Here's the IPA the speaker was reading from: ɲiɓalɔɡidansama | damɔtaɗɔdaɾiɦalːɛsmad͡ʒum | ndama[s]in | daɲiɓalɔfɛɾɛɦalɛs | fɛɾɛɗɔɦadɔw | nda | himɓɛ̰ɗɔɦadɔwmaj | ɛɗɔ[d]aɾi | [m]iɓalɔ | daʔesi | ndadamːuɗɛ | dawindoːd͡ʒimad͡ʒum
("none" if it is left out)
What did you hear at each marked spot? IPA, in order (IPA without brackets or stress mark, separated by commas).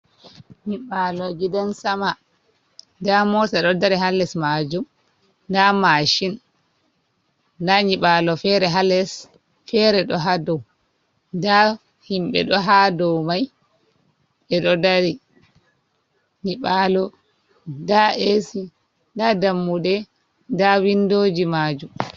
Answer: ʃ, d, ɲ